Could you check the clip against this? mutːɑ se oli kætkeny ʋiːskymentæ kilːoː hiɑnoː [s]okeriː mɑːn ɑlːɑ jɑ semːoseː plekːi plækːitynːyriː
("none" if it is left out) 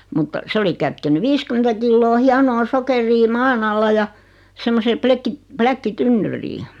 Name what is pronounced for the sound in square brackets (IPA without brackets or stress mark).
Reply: s